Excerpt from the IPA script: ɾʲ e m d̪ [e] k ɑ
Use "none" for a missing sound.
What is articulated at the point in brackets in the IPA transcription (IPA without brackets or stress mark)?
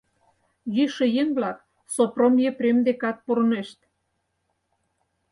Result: e